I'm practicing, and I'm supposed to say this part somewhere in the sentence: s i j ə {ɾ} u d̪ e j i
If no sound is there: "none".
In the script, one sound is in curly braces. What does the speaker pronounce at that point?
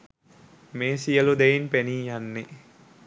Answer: l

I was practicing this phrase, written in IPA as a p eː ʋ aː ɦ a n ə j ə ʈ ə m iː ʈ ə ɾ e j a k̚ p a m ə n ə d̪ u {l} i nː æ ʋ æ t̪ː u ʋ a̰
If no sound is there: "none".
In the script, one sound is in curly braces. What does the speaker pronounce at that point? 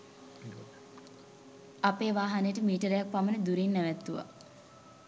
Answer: ɾ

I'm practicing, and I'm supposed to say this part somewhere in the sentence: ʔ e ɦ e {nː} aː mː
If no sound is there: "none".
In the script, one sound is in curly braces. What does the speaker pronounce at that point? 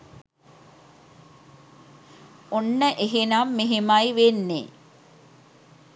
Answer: n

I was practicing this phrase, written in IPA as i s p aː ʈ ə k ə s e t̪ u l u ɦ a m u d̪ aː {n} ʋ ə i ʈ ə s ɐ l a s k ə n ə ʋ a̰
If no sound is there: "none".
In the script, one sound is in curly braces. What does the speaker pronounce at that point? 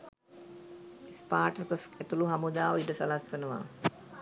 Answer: none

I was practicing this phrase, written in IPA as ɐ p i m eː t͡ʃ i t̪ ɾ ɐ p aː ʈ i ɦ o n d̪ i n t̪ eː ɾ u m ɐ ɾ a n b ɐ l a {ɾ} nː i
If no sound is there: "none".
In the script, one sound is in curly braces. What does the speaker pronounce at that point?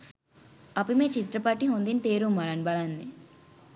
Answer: none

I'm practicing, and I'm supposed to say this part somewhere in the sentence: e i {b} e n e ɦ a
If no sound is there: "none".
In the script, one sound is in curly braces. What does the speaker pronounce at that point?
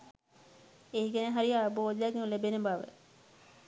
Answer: ɡ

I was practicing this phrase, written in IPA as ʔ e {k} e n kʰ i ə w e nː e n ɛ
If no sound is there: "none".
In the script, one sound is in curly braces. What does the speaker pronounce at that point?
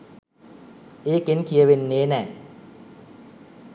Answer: k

